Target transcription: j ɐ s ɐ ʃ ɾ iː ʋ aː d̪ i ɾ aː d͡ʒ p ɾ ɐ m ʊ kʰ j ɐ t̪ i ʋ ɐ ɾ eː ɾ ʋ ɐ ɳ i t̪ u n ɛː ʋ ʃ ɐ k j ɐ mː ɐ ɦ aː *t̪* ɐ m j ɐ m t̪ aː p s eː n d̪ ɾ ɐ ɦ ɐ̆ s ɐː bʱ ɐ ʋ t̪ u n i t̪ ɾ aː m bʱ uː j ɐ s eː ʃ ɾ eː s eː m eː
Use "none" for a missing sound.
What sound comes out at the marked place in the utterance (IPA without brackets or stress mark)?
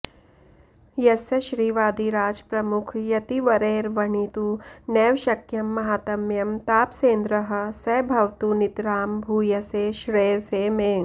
t̪